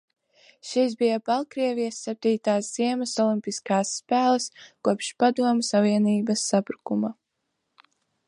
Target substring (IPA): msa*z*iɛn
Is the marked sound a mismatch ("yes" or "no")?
yes